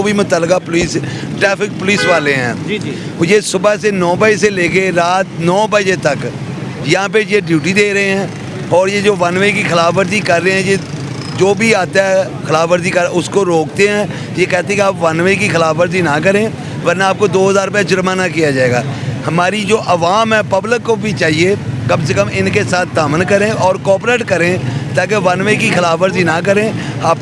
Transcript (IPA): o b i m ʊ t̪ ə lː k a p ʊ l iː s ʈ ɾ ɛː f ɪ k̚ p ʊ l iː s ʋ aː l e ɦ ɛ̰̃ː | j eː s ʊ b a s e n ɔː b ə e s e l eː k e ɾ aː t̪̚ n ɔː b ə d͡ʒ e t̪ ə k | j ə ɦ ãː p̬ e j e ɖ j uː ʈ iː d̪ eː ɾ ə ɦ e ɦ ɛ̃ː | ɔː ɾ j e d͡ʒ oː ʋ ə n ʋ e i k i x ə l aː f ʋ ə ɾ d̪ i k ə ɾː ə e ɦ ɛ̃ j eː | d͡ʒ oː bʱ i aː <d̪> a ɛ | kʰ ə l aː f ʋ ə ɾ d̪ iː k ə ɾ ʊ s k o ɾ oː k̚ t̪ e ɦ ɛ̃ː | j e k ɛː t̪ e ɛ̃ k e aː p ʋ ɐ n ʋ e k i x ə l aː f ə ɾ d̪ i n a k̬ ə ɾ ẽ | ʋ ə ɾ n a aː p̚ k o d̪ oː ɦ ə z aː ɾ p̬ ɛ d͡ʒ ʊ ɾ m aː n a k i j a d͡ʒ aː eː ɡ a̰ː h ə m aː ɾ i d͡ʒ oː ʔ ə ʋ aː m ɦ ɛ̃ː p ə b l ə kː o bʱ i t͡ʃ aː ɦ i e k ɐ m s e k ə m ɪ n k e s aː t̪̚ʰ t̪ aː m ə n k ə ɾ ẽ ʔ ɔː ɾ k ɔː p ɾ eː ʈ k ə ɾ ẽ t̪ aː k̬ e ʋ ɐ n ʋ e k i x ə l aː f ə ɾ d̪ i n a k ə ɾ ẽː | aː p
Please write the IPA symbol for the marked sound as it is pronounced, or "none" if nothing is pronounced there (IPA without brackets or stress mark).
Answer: t̪